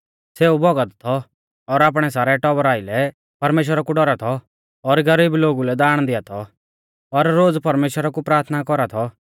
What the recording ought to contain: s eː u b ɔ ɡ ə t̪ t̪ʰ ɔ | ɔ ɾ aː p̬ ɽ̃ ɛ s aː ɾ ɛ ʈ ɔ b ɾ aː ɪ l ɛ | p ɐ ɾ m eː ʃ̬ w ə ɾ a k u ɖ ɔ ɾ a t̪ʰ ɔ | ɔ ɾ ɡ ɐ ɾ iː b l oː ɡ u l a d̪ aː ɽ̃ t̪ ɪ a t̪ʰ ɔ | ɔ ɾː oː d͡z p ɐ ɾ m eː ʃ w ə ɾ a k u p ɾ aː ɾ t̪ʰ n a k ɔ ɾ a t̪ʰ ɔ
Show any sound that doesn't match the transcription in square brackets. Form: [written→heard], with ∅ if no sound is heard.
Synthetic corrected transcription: s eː u b ɔ ɡ ə t̪ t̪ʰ ɔ | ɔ ɾ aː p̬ ɽ̃ ɛ s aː ɾ ɛ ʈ ɔ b ɾ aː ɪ l ɛ | p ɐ ɾ m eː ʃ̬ w ə ɾ a k u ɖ ɔ ɾ a t̪ʰ ɔ | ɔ ɾ ɡ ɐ ɾ iː b l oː ɡ u l [a→ɛ] d̪ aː ɽ̃ [t̪→d̪] ɪ a t̪ʰ ɔ | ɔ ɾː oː d͡z p ɐ ɾ m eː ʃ w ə ɾ a k u p ɾ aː ɾ t̪ʰ n a k ɔ ɾ a t̪ʰ ɔ

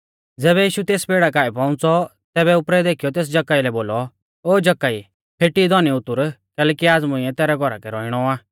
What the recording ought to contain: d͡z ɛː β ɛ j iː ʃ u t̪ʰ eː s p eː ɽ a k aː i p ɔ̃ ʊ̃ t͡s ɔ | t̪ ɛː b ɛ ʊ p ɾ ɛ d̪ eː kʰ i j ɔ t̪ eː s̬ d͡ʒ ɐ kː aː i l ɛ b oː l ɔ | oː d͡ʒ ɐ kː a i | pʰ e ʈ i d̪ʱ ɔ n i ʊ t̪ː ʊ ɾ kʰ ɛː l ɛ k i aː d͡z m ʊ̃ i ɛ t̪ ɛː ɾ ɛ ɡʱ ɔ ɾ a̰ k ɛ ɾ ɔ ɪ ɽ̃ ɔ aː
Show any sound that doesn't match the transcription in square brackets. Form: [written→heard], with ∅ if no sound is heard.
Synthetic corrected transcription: d͡z ɛː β ɛ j iː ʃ u [t̪ʰ→t̪] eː s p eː ɽ a k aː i p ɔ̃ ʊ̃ t͡s ɔ | t̪ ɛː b ɛ ʊ p ɾ ɛ d̪ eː kʰ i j ɔ t̪ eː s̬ d͡ʒ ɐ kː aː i l ɛ b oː l ɔ | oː d͡ʒ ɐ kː a i | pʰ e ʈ i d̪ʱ ɔ n i ʊ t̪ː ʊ ɾ [kʰ→k] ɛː l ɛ k i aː d͡z m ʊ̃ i ɛ t̪ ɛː ɾ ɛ ɡʱ ɔ ɾ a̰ k ɛ ɾ ɔ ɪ ɽ̃ ɔ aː

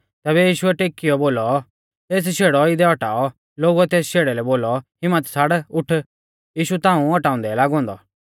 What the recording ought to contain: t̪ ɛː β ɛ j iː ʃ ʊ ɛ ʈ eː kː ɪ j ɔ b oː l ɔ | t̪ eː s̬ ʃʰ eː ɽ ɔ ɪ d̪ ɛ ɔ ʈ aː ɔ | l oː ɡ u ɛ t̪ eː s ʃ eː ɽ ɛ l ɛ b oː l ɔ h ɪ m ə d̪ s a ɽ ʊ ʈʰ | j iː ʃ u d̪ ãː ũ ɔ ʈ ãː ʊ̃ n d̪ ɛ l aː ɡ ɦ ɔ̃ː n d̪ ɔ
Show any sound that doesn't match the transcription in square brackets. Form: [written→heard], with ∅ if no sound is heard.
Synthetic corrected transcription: t̪ ɛː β ɛ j iː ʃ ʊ ɛ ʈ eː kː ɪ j ɔ b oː l ɔ | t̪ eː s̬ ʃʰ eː ɽ ɔ ɪ d̪ ɛ ɔ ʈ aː ɔ | l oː ɡ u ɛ t̪ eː s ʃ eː ɽ ɛ l ɛ b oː l ɔ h ɪ m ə [d̪→t̪] s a ɽ ʊ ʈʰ | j iː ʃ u [d̪→t̪] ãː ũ ɔ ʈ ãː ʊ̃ n d̪ ɛ l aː ɡ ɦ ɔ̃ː n d̪ ɔ

